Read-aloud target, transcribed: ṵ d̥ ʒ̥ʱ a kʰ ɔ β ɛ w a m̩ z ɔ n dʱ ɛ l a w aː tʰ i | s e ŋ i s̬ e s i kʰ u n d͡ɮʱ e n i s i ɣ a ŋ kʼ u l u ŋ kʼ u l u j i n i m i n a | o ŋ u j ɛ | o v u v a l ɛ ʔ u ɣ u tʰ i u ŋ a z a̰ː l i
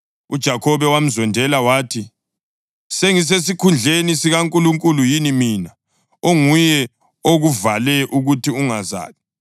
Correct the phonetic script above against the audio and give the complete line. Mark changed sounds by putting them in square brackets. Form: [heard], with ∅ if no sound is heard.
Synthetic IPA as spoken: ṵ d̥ ʒ̥ʱ a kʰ ɔ β ɛ w a m̩ z ɔ n dʱ ɛ l a w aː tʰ i | s e ŋ i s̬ e s i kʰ u n d͡ɮʱ e n i s i ɣ a ŋ kʼ u l u ŋ kʼ u l u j i n i m i n a | o ŋ u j ɛ | o [ɣ] u v a l ɛ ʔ u ɣ u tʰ i u ŋ a z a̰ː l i